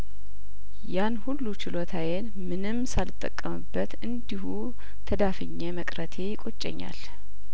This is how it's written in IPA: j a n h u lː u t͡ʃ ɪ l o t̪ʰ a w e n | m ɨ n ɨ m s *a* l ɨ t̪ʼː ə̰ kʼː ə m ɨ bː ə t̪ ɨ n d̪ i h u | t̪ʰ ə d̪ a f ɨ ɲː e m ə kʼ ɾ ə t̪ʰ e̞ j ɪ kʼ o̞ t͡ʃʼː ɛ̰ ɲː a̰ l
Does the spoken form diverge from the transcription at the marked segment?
no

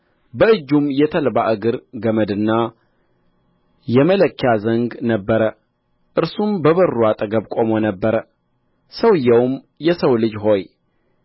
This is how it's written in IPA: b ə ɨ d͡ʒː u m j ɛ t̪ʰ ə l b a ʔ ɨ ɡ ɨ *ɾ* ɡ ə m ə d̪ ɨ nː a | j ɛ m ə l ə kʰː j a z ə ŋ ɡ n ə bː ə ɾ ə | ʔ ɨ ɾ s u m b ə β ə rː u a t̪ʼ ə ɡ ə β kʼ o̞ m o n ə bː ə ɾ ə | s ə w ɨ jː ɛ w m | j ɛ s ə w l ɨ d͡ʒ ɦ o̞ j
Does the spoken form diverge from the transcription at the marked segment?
no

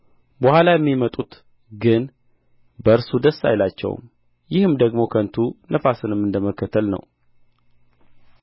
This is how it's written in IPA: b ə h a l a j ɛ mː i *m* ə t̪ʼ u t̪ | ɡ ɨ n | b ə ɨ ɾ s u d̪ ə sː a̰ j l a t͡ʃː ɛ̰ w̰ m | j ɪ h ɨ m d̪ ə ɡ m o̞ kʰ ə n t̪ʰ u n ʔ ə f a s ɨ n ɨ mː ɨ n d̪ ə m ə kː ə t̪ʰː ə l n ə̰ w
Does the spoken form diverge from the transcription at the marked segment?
no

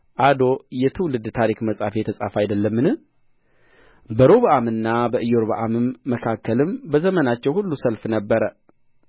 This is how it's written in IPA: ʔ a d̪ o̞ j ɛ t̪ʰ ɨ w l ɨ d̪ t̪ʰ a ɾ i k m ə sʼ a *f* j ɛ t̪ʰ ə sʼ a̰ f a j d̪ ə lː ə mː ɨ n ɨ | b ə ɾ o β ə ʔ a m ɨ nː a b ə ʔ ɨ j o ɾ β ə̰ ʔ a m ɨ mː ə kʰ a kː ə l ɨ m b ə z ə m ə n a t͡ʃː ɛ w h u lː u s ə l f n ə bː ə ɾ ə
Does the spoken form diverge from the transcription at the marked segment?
no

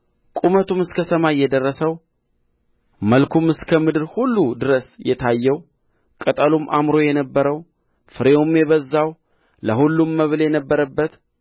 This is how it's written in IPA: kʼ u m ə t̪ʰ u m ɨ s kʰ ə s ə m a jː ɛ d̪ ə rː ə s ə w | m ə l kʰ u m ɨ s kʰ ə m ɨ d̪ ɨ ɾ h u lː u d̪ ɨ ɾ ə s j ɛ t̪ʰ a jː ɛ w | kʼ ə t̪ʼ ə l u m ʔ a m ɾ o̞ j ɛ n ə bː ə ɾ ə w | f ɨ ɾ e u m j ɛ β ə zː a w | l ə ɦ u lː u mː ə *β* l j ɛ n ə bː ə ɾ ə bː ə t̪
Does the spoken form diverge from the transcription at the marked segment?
no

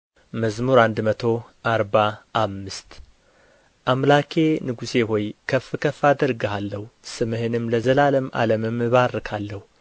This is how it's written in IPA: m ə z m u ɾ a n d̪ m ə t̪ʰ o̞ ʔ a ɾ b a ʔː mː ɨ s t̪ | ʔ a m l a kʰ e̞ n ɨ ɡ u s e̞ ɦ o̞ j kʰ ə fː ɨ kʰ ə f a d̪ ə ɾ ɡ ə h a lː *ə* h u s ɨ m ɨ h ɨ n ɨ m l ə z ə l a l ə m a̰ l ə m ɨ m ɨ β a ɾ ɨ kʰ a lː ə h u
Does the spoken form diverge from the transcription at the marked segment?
no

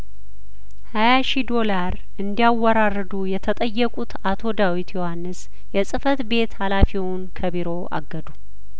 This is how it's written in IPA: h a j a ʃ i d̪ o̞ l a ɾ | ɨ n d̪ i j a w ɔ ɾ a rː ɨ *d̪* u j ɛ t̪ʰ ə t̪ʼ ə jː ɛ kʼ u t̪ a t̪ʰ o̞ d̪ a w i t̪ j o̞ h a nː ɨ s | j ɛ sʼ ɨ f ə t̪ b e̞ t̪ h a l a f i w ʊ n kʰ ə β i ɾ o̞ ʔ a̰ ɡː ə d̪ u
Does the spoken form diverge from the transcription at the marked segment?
no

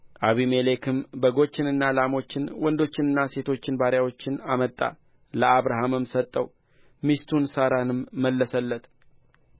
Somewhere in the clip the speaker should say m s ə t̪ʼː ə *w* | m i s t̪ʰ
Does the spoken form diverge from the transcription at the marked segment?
no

